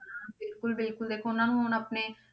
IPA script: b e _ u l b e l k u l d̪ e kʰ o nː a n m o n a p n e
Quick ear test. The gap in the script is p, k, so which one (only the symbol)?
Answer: k